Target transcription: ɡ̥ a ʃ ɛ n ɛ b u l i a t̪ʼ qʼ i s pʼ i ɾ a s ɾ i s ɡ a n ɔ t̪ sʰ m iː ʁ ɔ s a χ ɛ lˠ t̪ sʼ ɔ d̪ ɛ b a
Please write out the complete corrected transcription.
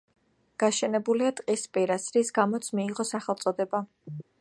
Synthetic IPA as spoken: ɡ̥ a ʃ ɛ n ɛ b u l i a t̪ʼ qʼ i s pʼ i ɾ a s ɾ i s ɡ a m ɔ t̪ sʰ m iː ʁ ɔ s a χ ɛ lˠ t̪ sʼ ɔ d̪ ɛ b a